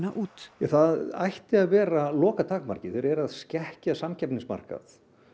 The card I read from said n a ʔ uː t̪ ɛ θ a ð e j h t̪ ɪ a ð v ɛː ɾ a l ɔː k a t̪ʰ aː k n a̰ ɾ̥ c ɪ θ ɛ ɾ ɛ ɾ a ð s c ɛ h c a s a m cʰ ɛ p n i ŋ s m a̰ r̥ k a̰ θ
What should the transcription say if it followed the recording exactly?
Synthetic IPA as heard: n a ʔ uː t̪ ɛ θ a ð a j h t̪ ɪ a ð v ɛː ɾ a l ɔː k a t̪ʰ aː k m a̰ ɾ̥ c ɪ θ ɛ ɾ ɛ ɾ a ð s c ɛ h c a s a m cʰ ɛ p n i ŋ s m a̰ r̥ k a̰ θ